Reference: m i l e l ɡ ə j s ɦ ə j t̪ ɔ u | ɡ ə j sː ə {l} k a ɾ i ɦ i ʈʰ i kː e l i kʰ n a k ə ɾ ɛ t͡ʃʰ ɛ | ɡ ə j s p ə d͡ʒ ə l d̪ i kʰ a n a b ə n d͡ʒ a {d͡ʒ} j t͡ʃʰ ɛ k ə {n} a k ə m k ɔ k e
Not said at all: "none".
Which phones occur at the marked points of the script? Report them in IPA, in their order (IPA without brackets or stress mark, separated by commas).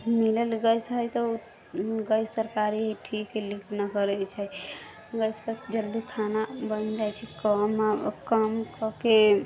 ɾ, none, m